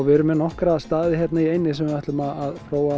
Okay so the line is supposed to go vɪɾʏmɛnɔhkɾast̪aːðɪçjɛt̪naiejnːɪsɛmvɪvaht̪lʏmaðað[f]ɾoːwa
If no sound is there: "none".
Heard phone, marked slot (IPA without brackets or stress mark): f